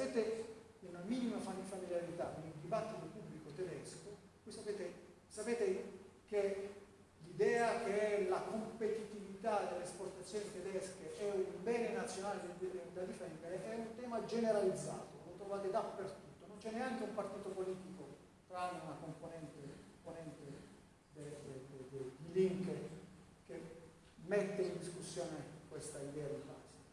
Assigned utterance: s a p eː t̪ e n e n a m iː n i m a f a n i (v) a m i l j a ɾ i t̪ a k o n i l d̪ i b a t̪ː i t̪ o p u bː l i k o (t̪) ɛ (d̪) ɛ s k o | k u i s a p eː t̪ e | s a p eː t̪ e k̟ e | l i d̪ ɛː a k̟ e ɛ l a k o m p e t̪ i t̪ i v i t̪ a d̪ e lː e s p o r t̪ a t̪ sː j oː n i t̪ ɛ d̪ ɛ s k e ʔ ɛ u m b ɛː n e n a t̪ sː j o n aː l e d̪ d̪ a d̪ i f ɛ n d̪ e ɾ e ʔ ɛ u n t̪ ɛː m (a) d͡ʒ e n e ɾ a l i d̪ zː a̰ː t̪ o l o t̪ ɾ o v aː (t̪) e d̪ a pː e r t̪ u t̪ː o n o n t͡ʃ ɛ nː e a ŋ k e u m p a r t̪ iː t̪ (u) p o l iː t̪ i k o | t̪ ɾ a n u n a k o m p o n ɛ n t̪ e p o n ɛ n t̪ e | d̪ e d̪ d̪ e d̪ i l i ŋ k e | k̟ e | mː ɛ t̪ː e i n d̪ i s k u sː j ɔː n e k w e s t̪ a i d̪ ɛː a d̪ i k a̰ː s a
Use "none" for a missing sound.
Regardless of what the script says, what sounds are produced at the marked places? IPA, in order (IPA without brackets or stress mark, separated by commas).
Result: f, t̪, d̪, a, t̪, o